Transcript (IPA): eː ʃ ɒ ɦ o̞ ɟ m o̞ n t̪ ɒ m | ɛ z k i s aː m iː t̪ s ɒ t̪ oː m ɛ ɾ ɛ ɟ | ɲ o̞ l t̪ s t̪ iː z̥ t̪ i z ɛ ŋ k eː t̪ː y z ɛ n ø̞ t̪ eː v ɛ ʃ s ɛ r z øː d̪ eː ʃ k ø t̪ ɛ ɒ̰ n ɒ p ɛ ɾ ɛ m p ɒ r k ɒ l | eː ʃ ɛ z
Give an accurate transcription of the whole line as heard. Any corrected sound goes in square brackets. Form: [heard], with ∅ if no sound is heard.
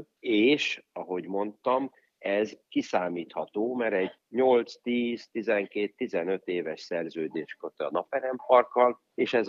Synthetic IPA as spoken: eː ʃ ɒ ɦ o̞ ɟ m o̞ n t̪ ɒ m | ɛ z k i s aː m iː t̪ [h] ɒ t̪ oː m ɛ ɾ ɛ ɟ | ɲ o̞ l t̪ s t̪ iː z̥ t̪ i z ɛ ŋ k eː t̪ː [i] z ɛ n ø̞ t̪ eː v ɛ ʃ s ɛ r z øː d̪ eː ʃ k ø t̪ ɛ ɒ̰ n ɒ p ɛ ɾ ɛ m p ɒ r k ɒ l | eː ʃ ɛ z